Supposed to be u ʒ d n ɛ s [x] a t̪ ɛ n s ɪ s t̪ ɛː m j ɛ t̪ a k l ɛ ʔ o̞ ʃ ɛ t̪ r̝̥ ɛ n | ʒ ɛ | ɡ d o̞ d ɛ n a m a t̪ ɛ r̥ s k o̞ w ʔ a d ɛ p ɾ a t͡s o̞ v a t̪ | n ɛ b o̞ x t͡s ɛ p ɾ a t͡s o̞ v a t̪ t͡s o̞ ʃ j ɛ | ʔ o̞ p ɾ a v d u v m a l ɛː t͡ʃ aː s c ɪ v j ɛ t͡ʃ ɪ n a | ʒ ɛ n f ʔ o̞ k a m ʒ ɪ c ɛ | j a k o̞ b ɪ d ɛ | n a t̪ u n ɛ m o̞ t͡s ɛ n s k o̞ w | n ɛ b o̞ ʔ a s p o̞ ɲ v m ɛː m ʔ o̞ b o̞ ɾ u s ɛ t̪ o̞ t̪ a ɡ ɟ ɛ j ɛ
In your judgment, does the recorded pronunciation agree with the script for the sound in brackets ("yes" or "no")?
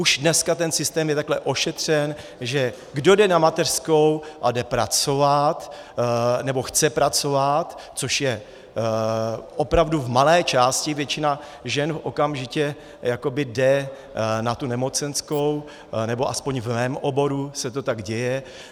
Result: no